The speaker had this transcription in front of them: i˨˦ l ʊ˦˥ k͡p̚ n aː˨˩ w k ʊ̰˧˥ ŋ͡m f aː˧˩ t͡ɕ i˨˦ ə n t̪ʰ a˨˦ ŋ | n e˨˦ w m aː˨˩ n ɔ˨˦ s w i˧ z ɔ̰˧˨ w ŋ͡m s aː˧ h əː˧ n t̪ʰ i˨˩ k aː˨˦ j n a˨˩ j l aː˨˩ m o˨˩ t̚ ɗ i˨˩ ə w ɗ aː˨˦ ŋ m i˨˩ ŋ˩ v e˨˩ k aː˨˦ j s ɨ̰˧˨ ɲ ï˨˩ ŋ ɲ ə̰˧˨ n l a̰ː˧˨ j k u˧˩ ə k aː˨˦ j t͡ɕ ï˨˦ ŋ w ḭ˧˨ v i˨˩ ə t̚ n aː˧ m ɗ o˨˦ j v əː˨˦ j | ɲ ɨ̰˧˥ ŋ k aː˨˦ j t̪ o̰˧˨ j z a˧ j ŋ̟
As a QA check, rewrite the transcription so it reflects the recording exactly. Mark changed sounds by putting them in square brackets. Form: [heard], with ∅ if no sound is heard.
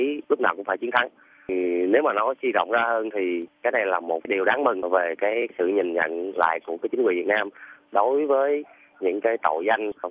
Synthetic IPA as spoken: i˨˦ l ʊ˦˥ k͡p̚ n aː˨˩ w k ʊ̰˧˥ ŋ͡m f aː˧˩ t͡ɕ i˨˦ ə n t̪ʰ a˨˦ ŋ | n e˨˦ w m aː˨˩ n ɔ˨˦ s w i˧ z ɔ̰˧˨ w ŋ͡m [z] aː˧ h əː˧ n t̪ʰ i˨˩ k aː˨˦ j n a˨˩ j l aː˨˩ m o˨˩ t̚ ɗ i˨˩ ə w ɗ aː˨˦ ŋ m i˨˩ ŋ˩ v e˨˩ k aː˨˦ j s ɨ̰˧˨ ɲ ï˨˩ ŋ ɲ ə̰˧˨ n l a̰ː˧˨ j k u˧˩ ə k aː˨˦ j t͡ɕ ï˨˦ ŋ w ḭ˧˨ v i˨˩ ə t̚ n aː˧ m ɗ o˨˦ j v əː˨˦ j | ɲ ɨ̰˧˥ ŋ k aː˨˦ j t̪ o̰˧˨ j z a˧ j ŋ̟

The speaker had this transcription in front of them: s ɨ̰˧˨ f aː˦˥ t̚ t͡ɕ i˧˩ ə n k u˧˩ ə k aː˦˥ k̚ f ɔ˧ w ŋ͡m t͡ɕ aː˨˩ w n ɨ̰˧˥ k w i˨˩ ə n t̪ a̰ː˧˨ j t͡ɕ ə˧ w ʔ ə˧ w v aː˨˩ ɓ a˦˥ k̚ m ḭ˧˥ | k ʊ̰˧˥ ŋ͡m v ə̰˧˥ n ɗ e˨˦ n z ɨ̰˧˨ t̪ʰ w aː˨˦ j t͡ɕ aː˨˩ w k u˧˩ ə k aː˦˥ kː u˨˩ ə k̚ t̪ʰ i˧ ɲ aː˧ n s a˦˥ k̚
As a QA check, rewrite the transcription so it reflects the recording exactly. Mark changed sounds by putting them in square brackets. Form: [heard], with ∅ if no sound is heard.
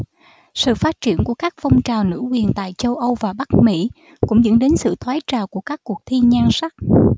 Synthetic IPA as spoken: s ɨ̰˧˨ f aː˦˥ t̚ t͡ɕ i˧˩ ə n k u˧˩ ə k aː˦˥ k̚ f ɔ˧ w ŋ͡m t͡ɕ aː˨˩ w n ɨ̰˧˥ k w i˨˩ ə n t̪ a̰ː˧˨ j t͡ɕ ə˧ w ʔ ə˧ w v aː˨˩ ɓ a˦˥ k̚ m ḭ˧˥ | k ʊ̰˧˥ ŋ͡m [z] ə̰˧˥ n ɗ e˨˦ n [s] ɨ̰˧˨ t̪ʰ w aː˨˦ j t͡ɕ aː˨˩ w k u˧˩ ə k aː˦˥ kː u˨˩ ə k̚ t̪ʰ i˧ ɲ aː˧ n s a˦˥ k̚

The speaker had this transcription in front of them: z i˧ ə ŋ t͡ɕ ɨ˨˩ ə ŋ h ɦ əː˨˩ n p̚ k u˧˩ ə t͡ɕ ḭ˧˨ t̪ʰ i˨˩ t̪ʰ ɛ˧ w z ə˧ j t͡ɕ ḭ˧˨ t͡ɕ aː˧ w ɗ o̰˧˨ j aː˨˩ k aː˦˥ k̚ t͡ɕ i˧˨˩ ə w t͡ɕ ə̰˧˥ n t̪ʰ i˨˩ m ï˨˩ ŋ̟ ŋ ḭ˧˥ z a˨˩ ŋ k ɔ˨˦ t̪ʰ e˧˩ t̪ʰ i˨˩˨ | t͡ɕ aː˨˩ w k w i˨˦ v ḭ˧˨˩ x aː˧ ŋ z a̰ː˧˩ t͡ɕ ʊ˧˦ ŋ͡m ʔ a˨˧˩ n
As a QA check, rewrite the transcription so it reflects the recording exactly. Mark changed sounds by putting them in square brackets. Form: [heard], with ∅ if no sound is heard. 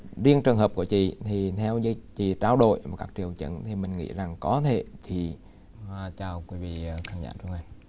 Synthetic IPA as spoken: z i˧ ə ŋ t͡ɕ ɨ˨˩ ə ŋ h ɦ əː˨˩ [∅] p̚ k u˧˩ ə t͡ɕ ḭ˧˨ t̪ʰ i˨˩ t̪ʰ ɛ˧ w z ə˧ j t͡ɕ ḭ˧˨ t͡ɕ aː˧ w ɗ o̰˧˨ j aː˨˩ k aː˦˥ k̚ t͡ɕ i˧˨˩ ə w t͡ɕ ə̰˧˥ n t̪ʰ i˨˩ m ï˨˩ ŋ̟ ŋ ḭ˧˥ z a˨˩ ŋ k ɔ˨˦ t̪ʰ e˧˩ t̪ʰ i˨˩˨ | t͡ɕ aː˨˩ w k w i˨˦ v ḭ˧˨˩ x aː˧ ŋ z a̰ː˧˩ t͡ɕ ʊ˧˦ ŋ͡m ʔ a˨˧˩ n

